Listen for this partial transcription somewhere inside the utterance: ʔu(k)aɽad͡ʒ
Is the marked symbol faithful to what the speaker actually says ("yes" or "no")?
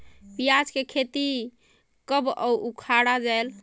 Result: no